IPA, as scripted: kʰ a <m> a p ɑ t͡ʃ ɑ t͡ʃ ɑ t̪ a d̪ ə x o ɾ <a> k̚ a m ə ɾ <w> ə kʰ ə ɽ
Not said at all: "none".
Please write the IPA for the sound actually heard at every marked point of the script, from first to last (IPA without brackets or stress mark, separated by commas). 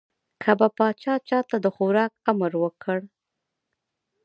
b, ɑ, w